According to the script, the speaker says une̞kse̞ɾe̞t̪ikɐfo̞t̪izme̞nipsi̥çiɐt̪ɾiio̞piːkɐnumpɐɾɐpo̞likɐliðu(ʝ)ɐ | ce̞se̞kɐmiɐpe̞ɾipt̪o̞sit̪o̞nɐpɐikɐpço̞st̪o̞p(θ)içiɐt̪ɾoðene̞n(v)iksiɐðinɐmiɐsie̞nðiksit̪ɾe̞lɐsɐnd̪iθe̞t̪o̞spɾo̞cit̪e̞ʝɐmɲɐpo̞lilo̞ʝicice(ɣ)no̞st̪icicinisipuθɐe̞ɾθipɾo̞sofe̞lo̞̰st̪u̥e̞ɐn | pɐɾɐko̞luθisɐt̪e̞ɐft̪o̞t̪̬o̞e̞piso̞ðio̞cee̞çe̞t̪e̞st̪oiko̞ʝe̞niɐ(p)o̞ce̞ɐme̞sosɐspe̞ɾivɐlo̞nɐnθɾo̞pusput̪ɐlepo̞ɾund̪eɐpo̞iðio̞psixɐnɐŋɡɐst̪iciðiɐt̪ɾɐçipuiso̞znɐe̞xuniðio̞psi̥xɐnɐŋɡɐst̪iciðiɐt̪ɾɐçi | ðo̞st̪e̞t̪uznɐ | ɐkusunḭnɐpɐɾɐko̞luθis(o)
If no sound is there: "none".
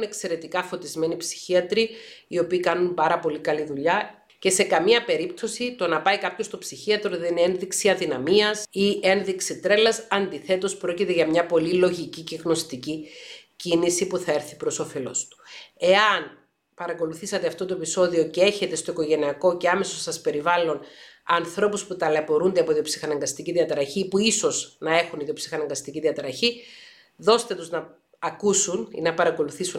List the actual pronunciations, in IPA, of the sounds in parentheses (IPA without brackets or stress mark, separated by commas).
ʎ, s, ð, ɣ, k, u